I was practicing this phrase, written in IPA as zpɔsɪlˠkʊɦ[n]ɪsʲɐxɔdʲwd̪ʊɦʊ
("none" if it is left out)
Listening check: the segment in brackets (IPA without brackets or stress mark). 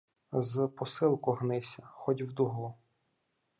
n